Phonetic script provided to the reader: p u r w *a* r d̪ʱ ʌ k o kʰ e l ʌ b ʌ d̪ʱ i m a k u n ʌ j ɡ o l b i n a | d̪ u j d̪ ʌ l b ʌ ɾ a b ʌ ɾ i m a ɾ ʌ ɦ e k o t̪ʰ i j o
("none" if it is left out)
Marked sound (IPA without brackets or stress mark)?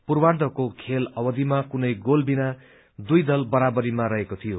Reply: a